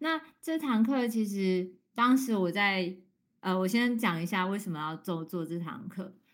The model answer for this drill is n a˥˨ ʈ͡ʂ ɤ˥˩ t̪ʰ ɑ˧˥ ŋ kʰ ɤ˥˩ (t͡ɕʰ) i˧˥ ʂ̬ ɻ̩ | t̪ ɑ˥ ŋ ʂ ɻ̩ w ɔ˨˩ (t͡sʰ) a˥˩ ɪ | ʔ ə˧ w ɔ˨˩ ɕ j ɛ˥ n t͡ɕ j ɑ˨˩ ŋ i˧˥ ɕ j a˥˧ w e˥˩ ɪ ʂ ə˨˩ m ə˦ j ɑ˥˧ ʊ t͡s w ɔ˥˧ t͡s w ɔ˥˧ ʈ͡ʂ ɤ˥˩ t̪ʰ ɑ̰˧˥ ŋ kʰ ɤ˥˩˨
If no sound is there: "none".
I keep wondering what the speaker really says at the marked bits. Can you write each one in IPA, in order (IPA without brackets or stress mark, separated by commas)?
t͡ɕʰ, t͡s